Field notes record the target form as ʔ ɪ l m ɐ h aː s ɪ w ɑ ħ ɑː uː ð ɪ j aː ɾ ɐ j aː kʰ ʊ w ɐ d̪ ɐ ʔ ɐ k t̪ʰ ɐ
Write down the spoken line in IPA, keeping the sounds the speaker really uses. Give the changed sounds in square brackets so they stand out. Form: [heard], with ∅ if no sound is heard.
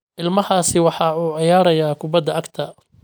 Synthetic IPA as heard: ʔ ɪ l m ɐ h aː s ɪ w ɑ ħ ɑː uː [ʕ] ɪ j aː ɾ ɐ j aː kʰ ʊ [b] ɐ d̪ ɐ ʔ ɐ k t̪ʰ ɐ